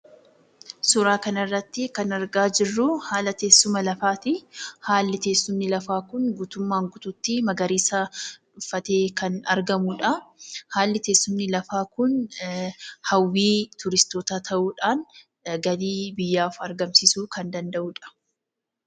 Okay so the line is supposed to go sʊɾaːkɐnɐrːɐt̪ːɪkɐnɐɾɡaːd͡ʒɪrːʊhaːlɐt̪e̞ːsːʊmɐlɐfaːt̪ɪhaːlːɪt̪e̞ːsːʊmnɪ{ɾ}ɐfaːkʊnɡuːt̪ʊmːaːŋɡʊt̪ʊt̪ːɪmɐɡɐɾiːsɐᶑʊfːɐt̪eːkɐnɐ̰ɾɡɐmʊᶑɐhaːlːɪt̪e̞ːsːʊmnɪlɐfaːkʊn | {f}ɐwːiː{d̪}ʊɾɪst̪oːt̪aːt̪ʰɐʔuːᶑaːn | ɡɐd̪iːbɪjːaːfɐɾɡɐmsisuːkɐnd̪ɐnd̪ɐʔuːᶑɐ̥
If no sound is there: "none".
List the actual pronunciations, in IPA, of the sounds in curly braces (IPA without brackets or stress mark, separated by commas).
l, h, t̪